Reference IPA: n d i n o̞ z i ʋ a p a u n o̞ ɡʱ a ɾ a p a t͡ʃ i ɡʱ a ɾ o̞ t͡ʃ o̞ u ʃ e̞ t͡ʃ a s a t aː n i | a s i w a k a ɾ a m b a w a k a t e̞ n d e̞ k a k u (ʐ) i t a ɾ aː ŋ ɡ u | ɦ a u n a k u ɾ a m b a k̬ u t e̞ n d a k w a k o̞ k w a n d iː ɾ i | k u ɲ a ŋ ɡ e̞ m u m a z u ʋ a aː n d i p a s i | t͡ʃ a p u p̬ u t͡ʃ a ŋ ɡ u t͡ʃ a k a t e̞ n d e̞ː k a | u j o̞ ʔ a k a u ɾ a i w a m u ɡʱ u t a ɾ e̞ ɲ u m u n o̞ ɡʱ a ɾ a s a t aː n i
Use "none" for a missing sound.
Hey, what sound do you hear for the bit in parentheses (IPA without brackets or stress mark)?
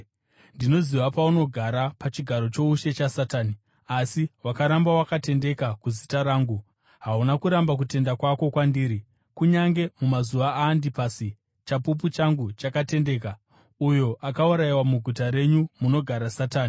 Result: z